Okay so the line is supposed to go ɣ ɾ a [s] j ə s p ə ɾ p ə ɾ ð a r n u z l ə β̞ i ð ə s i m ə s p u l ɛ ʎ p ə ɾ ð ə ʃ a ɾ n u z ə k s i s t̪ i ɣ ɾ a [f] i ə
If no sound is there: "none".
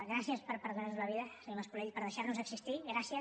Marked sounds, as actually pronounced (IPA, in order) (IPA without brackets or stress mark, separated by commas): s, s